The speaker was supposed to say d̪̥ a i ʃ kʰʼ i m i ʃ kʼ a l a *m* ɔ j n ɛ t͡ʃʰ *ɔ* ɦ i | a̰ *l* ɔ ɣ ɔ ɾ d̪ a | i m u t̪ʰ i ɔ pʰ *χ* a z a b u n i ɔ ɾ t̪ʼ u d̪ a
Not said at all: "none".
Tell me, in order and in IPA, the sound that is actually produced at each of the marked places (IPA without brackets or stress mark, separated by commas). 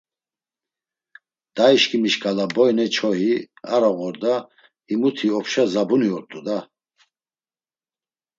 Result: b, ɔ, ɾ, ʃ